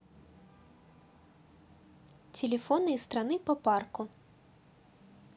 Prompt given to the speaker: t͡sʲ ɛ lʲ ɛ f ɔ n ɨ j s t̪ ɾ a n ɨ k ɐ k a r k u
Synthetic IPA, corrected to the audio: t͡sʲ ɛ lʲ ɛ f ɔ n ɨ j s t̪ ɾ a n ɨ p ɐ p a r k u